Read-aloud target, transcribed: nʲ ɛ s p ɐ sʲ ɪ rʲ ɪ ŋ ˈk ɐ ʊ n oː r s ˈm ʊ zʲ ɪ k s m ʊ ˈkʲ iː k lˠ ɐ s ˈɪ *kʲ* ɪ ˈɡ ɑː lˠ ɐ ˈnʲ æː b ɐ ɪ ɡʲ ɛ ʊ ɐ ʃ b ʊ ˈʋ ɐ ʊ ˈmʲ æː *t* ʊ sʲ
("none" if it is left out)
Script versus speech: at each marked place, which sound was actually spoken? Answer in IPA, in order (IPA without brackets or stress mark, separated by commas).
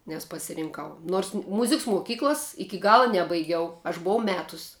kʲ, t